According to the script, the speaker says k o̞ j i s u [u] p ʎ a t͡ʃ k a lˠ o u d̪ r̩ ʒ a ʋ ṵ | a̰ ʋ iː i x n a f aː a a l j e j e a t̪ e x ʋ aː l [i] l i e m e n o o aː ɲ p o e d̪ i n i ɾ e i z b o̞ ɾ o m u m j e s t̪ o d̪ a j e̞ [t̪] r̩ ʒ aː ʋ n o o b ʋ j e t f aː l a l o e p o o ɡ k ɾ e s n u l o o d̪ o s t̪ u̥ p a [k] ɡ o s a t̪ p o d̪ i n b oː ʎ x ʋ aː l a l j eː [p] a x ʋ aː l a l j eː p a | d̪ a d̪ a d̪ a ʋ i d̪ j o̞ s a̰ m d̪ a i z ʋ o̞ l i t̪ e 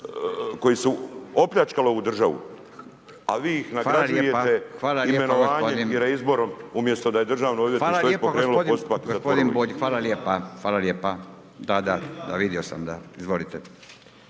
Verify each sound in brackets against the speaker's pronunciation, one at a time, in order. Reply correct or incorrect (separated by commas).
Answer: incorrect, incorrect, incorrect, correct, correct